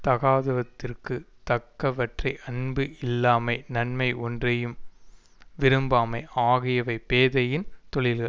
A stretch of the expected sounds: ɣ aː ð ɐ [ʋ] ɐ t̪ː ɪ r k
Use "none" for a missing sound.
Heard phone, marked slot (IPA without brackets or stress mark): ʋ